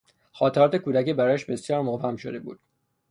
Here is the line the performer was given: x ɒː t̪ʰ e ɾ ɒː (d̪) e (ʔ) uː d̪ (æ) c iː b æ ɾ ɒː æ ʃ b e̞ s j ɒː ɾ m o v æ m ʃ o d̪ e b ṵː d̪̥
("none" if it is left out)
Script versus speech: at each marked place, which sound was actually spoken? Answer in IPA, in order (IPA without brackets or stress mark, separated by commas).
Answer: t̪, k, æ